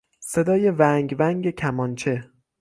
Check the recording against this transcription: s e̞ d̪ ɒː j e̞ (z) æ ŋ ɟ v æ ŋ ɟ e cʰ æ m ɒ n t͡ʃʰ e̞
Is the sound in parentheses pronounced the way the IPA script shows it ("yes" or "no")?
no